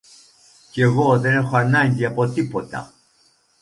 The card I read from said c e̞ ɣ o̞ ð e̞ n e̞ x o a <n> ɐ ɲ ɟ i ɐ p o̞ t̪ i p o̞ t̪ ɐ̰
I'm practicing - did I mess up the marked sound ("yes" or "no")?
no